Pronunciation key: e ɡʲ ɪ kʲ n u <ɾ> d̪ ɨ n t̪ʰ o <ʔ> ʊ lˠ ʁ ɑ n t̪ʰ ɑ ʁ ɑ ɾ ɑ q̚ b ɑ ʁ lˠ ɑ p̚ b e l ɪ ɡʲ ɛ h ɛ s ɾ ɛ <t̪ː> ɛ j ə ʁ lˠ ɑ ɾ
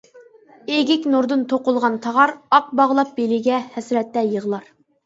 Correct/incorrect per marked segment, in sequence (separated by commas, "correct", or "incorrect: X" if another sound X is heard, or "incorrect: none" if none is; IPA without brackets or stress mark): correct, incorrect: q, correct